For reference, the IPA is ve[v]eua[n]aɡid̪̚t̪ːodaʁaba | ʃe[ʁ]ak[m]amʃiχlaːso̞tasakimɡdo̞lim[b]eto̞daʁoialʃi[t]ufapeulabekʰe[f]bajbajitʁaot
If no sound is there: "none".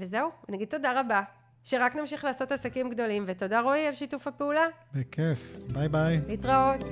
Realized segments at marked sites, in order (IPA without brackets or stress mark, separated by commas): z, n, ʁ, n, v, t, f